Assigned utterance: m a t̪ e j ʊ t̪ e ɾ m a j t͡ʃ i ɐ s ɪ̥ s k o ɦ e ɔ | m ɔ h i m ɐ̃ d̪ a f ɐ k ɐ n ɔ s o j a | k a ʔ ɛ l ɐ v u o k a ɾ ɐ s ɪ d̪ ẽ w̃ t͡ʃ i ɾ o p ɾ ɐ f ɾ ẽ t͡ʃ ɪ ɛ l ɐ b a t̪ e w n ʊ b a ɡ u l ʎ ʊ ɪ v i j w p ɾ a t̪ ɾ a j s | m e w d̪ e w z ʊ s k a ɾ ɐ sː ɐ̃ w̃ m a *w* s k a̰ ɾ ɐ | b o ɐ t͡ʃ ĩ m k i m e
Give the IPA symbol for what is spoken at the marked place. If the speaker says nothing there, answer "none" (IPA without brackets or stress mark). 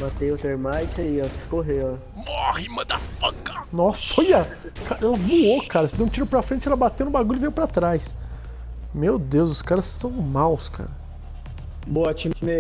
w